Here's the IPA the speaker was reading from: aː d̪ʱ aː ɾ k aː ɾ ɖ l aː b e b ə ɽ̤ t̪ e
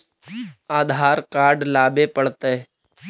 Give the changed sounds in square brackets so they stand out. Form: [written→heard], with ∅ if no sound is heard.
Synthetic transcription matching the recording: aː d̪ʱ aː ɾ k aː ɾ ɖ l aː b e [b→p] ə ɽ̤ t̪ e